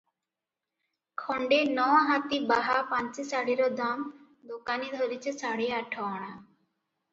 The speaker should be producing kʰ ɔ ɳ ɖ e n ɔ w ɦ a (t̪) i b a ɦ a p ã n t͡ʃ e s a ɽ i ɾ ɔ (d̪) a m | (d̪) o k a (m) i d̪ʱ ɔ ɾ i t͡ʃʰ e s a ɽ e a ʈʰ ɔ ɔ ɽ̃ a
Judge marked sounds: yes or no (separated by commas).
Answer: yes, yes, yes, no